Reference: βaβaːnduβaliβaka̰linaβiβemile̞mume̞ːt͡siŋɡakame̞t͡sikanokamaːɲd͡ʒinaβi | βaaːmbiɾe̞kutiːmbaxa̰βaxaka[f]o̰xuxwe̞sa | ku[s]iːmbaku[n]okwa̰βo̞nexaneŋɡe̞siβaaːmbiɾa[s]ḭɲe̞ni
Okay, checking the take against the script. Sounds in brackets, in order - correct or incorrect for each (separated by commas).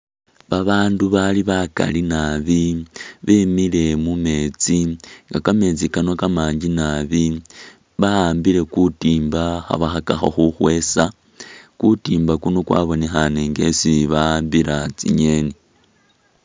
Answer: incorrect, incorrect, correct, incorrect